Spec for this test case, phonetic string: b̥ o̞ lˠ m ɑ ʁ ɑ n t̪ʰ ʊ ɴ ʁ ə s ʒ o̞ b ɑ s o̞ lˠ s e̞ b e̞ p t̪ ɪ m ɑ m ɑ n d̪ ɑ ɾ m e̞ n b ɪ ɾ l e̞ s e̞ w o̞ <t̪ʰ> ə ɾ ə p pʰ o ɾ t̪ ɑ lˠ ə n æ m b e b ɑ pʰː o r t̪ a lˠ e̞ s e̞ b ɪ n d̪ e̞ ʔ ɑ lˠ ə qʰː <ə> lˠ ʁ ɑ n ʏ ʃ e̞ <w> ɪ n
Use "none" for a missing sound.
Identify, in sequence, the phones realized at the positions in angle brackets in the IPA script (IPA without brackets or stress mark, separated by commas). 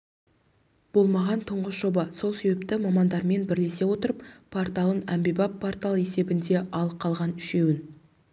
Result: t̪, ɑ, w